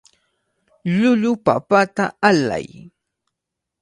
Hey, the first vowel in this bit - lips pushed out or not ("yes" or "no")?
yes